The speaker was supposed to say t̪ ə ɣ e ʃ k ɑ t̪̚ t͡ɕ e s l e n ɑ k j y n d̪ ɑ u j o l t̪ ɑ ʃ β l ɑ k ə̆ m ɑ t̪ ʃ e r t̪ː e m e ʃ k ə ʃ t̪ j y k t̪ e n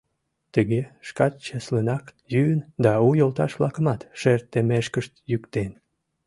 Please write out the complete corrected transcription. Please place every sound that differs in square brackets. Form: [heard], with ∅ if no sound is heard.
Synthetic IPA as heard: t̪ ə ɣ e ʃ k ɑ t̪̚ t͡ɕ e s l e n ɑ k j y n d̪ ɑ u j o l t̪ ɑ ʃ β l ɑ k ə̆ m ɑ t̪ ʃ e r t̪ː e m e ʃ k ə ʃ t̪ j y k t̪ e n